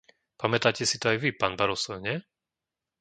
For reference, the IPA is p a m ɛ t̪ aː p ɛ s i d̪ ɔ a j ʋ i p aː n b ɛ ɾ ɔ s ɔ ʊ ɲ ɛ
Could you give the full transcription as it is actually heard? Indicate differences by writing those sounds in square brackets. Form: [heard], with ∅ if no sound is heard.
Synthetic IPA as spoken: p a m ɛ t̪ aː [c] ɛ s i [t̪] ɔ a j ʋ i p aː n b [a] ɾ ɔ s ɔ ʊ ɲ ɛ